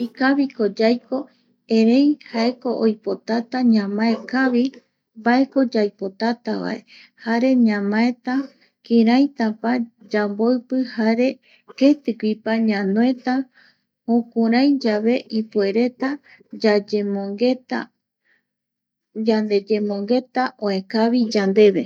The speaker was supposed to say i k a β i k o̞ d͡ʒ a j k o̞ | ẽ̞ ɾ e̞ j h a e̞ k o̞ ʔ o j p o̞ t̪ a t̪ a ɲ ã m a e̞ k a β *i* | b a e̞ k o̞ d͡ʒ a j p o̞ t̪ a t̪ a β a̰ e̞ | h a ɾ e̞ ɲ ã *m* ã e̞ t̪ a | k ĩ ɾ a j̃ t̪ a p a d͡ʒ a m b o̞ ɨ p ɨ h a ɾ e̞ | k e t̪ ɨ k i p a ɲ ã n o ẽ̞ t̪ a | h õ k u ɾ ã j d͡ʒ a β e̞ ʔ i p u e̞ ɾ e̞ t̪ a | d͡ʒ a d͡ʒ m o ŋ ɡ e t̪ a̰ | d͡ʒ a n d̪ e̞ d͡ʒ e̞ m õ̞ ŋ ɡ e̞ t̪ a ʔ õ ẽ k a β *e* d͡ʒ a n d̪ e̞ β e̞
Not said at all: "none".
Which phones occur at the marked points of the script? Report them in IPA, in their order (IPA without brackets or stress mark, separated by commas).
i, m, i